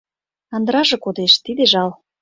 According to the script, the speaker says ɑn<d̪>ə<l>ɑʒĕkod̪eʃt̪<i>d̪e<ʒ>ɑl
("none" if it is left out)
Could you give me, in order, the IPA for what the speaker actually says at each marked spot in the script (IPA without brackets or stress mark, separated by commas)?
d̪, ɾ, i, ʒ